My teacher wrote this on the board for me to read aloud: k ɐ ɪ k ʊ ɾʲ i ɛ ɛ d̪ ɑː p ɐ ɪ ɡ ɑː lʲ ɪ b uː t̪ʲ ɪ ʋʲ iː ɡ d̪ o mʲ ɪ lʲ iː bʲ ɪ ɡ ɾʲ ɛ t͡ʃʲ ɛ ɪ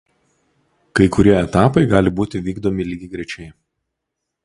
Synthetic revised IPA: k ɐ ɪ k ʊ ɾʲ i ɛ ɛ t̪ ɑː p ɐ ɪ ɡ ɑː lʲ ɪ b uː t̪ʲ ɪ ʋʲ iː ɡ d̪ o mʲ ɪ lʲ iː ɡʲ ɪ ɡ ɾʲ ɛ t͡ʃʲ ɛ ɪ

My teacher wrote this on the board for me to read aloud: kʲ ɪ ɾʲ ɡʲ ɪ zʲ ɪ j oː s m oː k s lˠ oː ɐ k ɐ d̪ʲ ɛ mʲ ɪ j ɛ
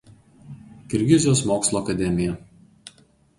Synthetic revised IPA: kʲ ɪ ɾʲ ɡʲ ɪ zʲ ɪ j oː s m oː k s lˠ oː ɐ k ɐ d̪ʲ ɛ mʲ ɪ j ɛ

